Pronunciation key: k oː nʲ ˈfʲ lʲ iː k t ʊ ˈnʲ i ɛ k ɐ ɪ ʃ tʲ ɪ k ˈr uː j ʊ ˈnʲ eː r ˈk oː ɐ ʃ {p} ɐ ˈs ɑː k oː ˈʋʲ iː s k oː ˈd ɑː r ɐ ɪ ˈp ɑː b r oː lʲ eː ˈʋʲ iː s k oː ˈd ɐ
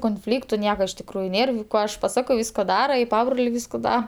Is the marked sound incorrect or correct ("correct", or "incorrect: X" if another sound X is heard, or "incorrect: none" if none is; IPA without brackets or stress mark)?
correct